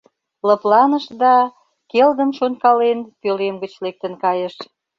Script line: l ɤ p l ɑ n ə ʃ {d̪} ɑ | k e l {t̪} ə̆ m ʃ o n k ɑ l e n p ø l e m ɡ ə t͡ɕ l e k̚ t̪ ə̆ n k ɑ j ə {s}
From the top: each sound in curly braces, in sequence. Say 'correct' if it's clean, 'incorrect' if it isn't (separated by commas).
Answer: correct, incorrect, incorrect